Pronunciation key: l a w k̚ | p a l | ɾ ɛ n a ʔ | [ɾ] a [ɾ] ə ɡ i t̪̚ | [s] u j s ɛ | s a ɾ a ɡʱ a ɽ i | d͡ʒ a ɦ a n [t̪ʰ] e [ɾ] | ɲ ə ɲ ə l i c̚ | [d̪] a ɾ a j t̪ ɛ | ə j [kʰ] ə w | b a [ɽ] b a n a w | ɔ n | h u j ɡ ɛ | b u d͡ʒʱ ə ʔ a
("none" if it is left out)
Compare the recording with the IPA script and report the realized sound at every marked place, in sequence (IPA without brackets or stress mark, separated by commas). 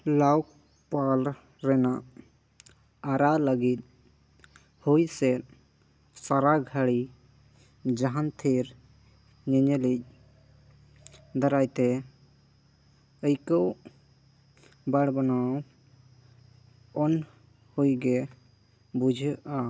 ɾ, l, h, t̪ʰ, ɾ, d̪, k, ɽ